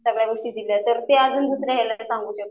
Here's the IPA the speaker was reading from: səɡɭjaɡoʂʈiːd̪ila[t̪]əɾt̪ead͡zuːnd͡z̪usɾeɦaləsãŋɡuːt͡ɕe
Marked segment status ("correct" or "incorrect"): correct